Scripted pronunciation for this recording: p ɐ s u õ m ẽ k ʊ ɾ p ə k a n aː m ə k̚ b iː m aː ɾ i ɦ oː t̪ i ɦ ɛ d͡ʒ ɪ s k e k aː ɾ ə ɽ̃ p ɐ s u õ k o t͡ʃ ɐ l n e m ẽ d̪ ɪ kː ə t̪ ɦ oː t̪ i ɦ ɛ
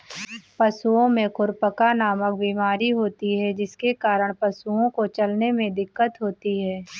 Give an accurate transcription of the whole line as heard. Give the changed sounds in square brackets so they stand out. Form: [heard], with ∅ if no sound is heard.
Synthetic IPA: p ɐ s u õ m ẽ k ʊ ɾ p ə k a n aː m ə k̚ b iː m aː ɾ i ɦ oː t̪ i ɦ ɛ d͡ʒ ɪ s k e k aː ɾ ə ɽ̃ p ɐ s u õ k o t͡ʃ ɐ l n e m ẽ d̪ ɪ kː ə t̪ ɦ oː t̪ i ɦ [ɛː]